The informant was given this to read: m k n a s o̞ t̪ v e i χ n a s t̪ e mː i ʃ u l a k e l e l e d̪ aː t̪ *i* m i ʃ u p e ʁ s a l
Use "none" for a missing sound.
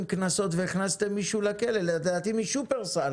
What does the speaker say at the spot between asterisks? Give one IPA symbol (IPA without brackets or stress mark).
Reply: i